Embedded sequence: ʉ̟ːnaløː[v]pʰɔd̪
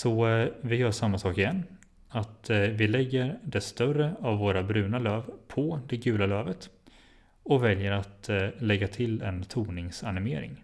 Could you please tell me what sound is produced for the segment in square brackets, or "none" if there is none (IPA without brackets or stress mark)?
v